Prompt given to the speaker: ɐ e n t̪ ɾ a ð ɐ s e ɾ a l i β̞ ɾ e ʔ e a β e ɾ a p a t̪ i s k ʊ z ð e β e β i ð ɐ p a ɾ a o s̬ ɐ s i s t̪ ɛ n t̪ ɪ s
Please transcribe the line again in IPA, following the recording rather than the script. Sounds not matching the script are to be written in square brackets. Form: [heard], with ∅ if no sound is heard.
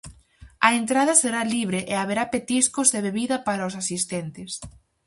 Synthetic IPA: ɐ e n t̪ ɾ a ð ɐ s e ɾ a l i β̞ ɾ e ʔ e a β e ɾ a p [e] t̪ i s k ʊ z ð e β e β i ð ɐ p a ɾ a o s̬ [a] s i s t̪ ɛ n t̪ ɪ s